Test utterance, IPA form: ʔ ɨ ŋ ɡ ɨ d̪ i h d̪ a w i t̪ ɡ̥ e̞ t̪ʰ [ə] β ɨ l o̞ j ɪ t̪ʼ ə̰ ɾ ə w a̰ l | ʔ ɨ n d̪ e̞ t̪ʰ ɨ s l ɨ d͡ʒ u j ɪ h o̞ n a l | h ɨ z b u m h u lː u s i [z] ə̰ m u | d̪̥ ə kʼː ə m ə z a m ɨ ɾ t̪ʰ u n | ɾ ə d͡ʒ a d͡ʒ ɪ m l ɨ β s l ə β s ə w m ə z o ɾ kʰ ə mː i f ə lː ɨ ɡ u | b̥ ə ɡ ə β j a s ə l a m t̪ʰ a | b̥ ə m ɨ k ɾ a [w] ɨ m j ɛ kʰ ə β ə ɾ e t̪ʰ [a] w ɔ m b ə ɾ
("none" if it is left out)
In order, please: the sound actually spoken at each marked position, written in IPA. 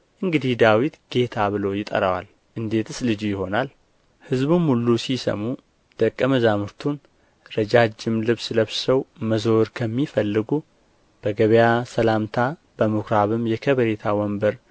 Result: a, s, β, a

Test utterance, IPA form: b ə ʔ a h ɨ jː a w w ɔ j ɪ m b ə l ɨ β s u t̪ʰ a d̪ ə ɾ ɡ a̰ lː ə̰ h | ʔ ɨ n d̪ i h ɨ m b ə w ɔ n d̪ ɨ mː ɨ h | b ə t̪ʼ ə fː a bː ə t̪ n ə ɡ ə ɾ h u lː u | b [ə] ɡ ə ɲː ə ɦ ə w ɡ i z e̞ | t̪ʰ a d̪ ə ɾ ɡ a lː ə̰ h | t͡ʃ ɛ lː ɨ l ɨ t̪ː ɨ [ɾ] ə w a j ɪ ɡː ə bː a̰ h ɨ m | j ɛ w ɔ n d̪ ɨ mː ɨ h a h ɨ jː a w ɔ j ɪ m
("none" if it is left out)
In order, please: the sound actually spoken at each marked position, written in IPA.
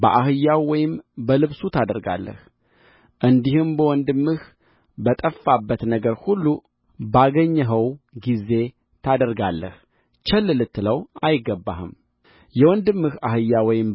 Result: a, l

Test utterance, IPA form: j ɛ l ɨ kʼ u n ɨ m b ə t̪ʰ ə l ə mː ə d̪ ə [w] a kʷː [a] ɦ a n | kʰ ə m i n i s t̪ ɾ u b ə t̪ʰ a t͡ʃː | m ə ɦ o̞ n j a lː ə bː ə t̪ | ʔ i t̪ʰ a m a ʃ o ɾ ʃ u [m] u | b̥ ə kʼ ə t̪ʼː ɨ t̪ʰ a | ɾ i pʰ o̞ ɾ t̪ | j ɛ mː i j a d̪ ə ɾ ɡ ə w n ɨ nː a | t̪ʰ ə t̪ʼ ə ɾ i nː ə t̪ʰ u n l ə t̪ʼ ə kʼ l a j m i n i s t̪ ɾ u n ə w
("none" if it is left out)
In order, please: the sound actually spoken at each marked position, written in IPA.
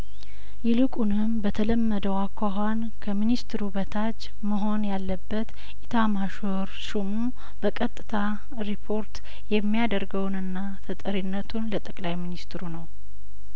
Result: w, a, m

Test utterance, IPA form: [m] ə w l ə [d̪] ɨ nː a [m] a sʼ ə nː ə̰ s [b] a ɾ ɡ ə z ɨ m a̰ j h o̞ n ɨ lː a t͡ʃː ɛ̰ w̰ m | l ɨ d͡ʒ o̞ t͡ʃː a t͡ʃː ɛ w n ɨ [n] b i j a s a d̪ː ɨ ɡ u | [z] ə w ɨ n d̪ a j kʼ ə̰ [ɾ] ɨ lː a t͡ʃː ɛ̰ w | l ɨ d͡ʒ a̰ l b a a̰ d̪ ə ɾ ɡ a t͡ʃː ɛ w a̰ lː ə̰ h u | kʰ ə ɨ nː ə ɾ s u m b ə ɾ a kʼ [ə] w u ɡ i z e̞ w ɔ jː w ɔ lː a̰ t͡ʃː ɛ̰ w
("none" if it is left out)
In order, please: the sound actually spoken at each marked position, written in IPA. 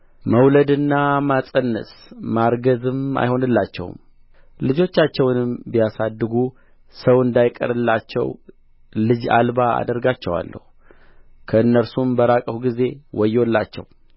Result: m, d̪, m, m, m, s, ɾ, ə

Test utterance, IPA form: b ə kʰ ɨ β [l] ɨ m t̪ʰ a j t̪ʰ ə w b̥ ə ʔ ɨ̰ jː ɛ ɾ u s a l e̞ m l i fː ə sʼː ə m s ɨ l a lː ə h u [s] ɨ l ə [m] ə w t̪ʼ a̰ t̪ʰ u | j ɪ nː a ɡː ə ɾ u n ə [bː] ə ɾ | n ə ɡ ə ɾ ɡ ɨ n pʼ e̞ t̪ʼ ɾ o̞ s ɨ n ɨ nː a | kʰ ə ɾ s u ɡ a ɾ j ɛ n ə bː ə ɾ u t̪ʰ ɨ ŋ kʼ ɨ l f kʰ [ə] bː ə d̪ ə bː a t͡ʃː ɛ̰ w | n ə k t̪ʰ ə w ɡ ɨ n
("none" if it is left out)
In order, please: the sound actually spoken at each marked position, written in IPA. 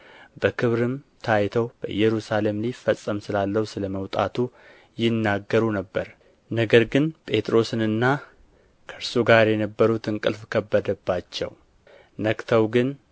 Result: ɾ, s, m, bː, ə

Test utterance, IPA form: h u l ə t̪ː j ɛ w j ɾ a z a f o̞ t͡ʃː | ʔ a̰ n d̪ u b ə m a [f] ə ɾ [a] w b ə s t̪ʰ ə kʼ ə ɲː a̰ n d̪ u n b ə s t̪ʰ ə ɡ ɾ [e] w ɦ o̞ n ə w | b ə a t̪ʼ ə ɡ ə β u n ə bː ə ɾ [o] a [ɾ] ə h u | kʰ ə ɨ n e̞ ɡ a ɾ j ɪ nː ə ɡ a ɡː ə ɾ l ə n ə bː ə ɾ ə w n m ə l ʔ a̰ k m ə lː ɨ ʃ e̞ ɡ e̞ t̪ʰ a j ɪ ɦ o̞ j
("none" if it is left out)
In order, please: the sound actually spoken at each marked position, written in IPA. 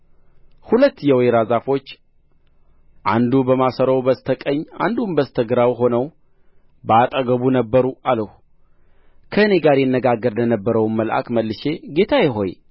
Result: s, ə, a, u, l

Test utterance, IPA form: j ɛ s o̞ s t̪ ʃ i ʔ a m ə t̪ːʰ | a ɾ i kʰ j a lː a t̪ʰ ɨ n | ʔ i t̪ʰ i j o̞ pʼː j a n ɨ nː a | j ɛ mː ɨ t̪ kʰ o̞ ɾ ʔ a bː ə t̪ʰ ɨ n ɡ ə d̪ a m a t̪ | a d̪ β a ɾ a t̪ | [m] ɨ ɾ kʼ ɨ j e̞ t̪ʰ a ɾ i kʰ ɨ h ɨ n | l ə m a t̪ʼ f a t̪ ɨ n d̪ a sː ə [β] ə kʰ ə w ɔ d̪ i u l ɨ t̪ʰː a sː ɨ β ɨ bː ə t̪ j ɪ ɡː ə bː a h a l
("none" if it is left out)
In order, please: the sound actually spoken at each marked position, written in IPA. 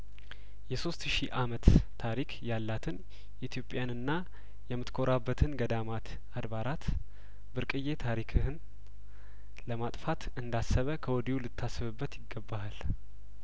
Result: b, β

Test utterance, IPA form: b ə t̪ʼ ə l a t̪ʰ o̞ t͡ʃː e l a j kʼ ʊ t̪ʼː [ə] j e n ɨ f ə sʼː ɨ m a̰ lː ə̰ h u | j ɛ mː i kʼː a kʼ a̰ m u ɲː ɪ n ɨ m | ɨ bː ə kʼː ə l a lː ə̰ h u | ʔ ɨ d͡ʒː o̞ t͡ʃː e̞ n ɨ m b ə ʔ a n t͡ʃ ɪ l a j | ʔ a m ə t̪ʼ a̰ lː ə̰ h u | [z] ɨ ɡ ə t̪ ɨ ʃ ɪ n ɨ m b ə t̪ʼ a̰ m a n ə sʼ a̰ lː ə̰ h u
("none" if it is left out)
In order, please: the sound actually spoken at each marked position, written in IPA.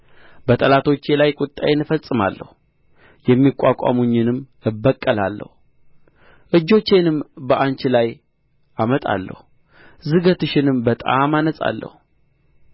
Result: a, z

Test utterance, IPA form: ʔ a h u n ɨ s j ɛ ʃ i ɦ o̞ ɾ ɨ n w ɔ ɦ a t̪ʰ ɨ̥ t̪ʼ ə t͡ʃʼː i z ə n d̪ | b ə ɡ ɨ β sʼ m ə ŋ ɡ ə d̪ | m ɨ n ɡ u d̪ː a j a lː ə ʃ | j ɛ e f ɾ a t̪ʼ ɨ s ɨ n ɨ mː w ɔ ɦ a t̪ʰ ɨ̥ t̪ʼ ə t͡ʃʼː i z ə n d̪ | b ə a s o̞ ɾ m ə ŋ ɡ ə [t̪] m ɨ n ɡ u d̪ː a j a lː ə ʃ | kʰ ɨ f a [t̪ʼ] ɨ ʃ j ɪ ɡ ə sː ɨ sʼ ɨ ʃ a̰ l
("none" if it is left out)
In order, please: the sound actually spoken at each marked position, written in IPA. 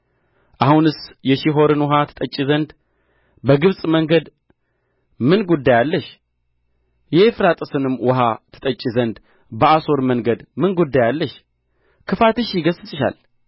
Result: d̪, t̪

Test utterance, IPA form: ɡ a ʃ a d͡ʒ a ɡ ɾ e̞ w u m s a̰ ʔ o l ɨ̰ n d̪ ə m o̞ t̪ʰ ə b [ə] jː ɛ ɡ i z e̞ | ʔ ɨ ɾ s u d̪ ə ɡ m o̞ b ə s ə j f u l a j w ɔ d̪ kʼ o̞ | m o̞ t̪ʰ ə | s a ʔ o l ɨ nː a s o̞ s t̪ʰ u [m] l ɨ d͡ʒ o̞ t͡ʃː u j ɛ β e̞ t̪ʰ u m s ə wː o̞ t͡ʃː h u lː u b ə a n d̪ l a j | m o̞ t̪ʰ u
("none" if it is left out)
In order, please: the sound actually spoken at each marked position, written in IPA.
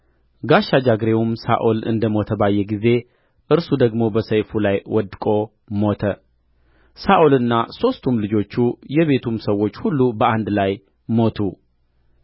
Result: a, m

